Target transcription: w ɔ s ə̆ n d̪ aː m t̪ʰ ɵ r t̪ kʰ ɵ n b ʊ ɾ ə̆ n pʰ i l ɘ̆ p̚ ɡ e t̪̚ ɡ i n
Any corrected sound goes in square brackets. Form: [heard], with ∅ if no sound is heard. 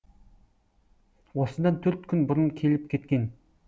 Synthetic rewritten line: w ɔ s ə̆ n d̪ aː [n] t̪ʰ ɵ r t̪ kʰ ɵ n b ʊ ɾ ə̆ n [kʰ] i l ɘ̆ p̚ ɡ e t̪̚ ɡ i n